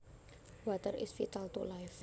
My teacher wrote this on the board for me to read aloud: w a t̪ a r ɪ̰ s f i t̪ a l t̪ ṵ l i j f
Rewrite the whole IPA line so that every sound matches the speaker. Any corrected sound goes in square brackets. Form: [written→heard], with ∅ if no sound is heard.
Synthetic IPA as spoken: w a t̪ [a→ə] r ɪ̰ s f i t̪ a l t̪ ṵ l [i→a] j f